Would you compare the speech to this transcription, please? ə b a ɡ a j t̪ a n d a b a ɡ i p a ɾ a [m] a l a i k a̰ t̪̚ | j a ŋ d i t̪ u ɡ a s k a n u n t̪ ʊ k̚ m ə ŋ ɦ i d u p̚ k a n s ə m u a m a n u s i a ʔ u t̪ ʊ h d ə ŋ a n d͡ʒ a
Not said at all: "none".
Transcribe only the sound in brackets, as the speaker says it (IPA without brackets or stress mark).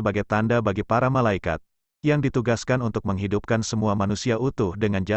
m